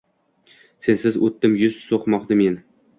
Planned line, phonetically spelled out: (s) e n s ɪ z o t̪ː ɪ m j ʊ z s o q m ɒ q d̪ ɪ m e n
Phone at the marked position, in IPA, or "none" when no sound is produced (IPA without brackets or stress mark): s